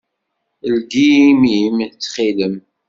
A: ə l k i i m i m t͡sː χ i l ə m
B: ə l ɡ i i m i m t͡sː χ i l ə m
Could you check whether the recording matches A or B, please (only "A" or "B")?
B